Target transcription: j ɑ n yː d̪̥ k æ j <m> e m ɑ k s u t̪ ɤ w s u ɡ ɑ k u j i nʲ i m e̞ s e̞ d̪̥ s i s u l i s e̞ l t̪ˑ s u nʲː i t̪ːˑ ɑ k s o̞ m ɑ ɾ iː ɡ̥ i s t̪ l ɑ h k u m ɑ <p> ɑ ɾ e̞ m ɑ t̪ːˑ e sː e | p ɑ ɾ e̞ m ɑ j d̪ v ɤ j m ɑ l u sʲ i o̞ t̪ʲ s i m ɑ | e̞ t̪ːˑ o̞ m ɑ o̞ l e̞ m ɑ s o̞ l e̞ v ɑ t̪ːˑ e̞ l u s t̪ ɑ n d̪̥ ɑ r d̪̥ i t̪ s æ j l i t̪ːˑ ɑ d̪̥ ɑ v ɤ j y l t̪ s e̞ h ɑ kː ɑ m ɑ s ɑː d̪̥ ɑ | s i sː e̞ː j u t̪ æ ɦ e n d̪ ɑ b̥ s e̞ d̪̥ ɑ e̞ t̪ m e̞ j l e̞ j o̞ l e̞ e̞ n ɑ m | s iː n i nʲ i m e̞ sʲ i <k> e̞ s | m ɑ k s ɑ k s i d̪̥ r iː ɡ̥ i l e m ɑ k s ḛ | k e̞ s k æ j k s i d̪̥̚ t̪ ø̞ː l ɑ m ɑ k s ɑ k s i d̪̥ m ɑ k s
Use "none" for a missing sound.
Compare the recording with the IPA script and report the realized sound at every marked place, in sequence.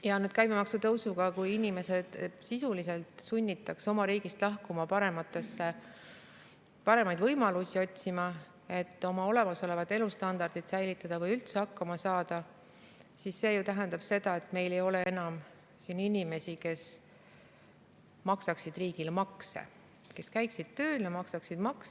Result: m, p, k

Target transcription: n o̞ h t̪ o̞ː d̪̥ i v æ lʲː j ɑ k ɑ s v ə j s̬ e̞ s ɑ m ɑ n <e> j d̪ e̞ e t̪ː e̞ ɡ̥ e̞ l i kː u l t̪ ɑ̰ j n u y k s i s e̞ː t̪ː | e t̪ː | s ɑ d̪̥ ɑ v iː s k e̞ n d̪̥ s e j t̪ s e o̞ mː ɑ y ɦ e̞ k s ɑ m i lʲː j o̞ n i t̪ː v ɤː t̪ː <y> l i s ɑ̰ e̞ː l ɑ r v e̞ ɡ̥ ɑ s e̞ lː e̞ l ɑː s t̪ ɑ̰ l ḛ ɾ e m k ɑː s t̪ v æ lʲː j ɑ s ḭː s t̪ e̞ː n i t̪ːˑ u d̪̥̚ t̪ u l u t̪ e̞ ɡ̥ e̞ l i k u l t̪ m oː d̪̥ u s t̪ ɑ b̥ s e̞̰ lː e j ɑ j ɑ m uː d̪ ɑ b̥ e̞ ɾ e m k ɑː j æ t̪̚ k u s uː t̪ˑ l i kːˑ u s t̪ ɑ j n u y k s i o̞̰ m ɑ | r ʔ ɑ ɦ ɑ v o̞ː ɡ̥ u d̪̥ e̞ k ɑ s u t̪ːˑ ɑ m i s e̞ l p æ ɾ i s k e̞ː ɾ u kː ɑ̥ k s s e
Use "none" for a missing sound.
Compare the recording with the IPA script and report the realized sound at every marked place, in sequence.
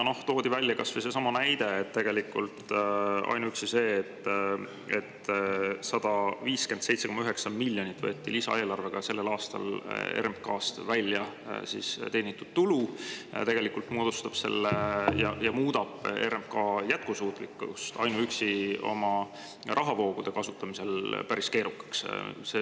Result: æ, i

